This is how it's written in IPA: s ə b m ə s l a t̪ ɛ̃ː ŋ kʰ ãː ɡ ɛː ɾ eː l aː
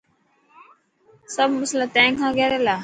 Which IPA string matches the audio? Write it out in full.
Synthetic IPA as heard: s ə b m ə s l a t̪ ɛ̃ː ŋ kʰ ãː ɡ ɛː ɾ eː l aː